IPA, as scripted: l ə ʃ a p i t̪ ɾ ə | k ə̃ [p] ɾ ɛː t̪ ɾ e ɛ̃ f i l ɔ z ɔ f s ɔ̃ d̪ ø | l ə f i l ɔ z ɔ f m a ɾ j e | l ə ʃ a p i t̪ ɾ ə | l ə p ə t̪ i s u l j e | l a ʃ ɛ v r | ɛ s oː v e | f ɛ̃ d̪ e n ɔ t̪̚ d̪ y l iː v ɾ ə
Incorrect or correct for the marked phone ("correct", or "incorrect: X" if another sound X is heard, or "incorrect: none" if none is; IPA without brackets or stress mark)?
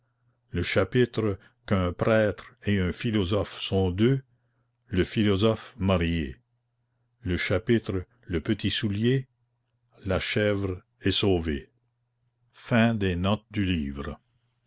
correct